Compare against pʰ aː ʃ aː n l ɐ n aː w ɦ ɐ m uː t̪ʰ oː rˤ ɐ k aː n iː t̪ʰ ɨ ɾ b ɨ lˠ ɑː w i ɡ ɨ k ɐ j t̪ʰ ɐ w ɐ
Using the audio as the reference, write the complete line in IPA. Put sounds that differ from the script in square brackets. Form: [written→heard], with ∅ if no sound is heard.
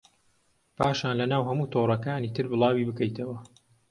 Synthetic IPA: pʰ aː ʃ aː n l ɐ n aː w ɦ ɐ m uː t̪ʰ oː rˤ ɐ k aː n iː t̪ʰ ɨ ɾ b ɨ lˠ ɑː w i [ɡ→b] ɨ k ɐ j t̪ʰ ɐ w ɐ

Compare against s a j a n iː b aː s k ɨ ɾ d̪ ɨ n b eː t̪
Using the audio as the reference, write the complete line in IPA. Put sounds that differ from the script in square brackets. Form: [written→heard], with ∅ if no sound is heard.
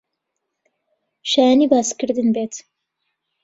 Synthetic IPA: [s→ʃ] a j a n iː b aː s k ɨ ɾ d̪ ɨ n b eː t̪

